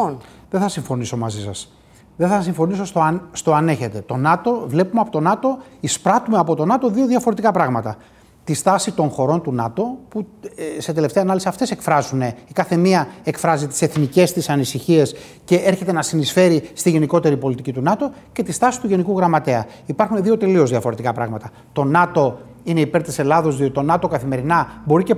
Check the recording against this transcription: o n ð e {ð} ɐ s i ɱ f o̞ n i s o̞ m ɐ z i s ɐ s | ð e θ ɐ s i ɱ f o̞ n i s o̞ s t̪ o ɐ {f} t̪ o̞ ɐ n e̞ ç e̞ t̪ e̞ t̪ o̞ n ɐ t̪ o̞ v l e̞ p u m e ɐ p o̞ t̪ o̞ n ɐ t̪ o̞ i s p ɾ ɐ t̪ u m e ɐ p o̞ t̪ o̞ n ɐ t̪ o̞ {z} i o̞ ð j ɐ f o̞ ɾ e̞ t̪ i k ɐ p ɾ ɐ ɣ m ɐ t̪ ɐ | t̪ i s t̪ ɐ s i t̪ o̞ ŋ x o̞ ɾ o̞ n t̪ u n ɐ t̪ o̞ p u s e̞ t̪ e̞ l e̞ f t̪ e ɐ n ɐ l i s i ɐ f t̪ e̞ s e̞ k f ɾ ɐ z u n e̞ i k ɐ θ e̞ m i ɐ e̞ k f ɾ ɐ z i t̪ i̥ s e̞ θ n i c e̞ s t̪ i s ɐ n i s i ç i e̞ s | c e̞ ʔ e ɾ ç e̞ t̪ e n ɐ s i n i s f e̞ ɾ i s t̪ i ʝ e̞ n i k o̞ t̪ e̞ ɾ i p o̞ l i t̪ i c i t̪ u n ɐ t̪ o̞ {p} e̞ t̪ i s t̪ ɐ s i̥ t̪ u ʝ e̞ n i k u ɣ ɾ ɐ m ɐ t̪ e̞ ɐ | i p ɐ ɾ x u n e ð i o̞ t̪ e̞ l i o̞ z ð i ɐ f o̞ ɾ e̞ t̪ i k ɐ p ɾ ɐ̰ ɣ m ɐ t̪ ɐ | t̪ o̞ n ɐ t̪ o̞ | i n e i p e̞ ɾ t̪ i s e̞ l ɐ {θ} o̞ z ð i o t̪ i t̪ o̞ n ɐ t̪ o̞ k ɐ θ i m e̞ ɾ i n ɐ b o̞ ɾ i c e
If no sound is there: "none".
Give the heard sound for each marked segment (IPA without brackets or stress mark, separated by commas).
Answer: θ, s, ð, c, ð